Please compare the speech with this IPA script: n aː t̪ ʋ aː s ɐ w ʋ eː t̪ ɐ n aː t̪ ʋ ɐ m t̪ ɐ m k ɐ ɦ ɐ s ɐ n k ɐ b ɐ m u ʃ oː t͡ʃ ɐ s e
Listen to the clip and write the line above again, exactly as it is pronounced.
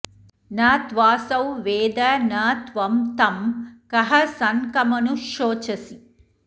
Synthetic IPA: n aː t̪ ʋ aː s ɐ w ʋ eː d̪ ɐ n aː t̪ ʋ ɐ m t̪ ɐ m k ɐ ɦ ɐ s ɐ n k ɐ m ɐ n u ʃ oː t͡ʃ ɐ s i